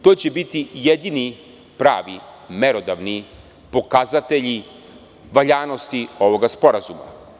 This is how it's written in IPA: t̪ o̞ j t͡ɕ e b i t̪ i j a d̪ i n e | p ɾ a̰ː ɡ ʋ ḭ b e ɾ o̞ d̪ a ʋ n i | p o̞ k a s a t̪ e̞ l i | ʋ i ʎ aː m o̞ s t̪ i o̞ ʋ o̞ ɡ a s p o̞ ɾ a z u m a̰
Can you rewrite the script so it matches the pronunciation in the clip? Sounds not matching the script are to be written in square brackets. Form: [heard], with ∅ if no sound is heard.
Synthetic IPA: t̪ o̞ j t͡ɕ e b i t̪ i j [e] d̪ i n [i] | p ɾ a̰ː [∅] ʋ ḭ [m] e ɾ o̞ d̪ a ʋ n i | p o̞ k a [z] a t̪ e̞ [ʎ] i | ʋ [a] ʎ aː [n] o̞ s t̪ i o̞ ʋ o̞ ɡ a s p o̞ ɾ a z u m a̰